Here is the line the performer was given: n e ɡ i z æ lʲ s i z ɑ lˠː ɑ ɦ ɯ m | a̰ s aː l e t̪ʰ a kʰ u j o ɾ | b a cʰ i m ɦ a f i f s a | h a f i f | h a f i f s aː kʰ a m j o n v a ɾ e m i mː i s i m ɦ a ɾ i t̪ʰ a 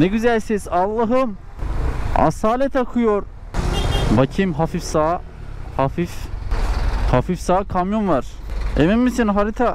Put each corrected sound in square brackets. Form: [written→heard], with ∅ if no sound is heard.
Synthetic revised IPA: n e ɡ [i→y] z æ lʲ s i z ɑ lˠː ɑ ɦ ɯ m | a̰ s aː l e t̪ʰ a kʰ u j o ɾ | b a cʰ i m ɦ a f i f s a | h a f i f | h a f i f s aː kʰ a m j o n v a ɾ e m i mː i s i [m→n] ɦ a ɾ i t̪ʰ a

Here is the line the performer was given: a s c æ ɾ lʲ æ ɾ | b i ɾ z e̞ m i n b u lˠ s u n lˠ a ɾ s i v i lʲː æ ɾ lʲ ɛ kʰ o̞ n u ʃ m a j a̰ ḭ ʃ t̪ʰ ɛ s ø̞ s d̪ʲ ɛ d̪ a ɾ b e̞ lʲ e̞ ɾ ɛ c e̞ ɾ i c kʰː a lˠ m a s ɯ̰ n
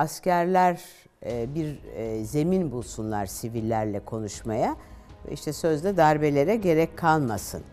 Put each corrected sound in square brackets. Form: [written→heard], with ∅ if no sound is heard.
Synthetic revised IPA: a s c æ ɾ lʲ æ ɾ | b i ɾ z e̞ m i n b u lˠ s u n lˠ a ɾ s i v i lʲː æ ɾ lʲ ɛ kʰ o̞ n u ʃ m a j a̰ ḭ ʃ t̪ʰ ɛ s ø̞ [s→z] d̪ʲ ɛ d̪ a ɾ b e̞ lʲ e̞ ɾ ɛ [c→ɟ] e̞ ɾ [i→ɛ] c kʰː a lˠ m a s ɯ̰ n

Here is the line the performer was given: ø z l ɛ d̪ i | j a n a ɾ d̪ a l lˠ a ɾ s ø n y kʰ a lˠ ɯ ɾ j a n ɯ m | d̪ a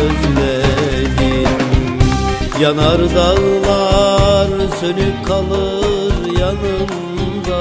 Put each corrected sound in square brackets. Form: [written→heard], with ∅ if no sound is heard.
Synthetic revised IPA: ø z l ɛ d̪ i | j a n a ɾ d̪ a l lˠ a ɾ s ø n y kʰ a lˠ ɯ ɾ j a n ɯ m | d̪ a

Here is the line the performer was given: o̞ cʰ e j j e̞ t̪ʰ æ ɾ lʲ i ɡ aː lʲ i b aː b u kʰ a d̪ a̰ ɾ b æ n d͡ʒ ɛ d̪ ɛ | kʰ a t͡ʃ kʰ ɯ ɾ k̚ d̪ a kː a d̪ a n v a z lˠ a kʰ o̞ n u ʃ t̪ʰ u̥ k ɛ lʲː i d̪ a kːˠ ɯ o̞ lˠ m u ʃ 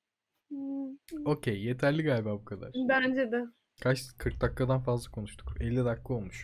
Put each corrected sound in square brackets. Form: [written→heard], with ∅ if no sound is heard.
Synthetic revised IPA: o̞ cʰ e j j e̞ t̪ʰ æ ɾ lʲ i ɡ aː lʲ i b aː b u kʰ a d̪ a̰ ɾ b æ n d͡ʒ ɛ d̪ ɛ | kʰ a t͡ʃ kʰ ɯ ɾ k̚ d̪ a kː a d̪ a n [v→f] a z lˠ a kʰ o̞ n u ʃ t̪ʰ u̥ k ɛ lʲː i d̪ a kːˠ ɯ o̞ lˠ m u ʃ

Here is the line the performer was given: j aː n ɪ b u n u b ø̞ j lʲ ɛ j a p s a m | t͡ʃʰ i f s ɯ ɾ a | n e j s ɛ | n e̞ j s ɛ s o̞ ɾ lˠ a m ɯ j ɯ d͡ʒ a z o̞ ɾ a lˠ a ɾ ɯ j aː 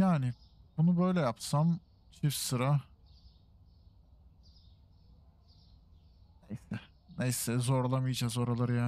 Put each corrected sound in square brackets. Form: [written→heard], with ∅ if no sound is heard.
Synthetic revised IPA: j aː n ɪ b u n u b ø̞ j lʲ ɛ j a p s a m | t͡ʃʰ i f s ɯ ɾ a | n e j s ɛ | n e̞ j s ɛ [s→z] o̞ ɾ lˠ a m ɯ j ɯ d͡ʒ a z o̞ ɾ a lˠ a ɾ ɯ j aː

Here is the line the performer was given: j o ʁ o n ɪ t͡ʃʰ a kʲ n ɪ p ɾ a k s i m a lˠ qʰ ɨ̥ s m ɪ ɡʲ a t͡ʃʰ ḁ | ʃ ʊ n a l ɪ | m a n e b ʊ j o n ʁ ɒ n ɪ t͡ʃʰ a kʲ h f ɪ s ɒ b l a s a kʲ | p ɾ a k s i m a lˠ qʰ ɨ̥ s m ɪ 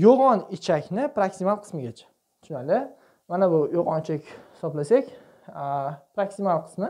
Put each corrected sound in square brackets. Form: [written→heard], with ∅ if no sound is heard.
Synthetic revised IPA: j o ʁ [o→ɒ] n ɪ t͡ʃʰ a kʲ n ɪ p ɾ a k s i m a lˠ qʰ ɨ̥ s m ɪ ɡʲ a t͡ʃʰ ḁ | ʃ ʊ n a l ɪ | m a n [e→a] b ʊ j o [n→∅] ʁ ɒ n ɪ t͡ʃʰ a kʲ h [f→h] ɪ s ɒ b l a s a kʲ | p ɾ a k s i m a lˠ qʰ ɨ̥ s m ɪ

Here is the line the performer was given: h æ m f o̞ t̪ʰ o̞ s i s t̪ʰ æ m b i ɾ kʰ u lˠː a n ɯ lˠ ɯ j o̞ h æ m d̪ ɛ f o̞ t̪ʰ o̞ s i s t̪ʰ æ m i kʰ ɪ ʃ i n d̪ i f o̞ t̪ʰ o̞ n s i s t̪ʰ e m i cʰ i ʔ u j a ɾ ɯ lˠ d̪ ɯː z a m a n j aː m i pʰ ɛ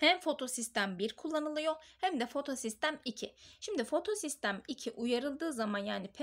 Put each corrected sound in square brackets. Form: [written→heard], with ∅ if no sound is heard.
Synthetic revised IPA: h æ m f o̞ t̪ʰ o̞ s i s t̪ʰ æ m b i ɾ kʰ u lˠː a n ɯ lˠ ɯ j o̞ h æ m d̪ ɛ f o̞ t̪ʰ o̞ s i s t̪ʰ æ m i [kʰ→cʰ] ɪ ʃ i [n→m] d̪ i f o̞ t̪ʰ o̞ [n→∅] s i s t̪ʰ [e→æ] m i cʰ i ʔ u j a ɾ ɯ lˠ d̪ ɯː z a m a n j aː [m→n] i pʰ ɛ

